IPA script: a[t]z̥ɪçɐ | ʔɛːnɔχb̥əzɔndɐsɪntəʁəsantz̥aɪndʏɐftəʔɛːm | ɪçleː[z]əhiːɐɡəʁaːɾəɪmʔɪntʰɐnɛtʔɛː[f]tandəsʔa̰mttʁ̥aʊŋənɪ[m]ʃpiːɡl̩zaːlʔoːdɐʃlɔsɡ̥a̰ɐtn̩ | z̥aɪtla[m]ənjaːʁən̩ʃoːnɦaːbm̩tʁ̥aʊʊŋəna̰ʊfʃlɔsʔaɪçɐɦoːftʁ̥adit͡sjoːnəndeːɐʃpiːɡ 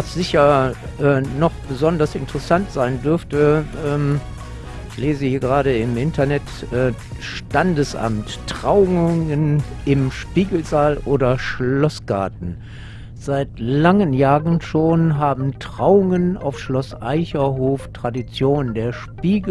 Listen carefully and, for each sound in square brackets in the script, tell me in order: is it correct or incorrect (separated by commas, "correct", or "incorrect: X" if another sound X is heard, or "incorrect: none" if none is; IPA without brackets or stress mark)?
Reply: incorrect: s, correct, incorrect: ʃ, correct, incorrect: ŋ